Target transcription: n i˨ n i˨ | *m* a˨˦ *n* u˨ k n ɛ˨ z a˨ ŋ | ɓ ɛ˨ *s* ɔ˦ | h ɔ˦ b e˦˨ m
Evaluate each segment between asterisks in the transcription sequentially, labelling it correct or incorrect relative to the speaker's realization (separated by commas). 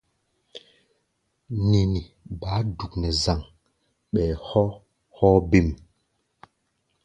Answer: incorrect, incorrect, incorrect